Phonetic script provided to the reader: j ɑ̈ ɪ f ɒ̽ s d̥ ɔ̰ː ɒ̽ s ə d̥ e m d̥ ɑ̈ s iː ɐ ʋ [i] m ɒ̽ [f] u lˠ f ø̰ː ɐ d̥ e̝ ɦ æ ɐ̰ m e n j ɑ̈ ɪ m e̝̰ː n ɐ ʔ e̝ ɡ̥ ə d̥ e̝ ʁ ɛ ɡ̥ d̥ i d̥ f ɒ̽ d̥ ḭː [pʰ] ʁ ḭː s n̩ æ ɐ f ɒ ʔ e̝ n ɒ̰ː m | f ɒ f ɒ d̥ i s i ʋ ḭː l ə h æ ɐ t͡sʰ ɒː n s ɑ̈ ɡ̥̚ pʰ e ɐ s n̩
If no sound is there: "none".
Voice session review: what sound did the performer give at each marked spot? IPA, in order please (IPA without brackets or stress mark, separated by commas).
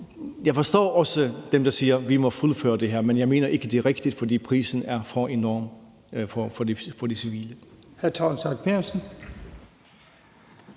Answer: i, f, pʰ